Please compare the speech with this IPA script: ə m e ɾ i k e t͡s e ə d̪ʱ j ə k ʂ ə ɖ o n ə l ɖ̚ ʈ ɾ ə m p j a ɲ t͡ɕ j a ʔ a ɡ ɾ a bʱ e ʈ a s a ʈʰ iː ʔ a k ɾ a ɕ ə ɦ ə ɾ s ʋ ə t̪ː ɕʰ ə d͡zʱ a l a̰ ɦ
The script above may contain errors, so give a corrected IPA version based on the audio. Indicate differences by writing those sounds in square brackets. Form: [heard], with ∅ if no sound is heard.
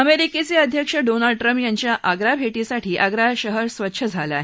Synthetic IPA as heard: ə m e ɾ i k e t͡s e ə d̪ʱ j ə k ʂ ə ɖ o n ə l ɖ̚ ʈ ɾ ə m p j a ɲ t͡ɕ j a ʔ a ɡ ɾ a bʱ e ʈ [i] s a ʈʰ iː ʔ a [ɡ] ɾ a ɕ ə ɦ ə ɾ s ʋ ə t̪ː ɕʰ ə d͡zʱ a l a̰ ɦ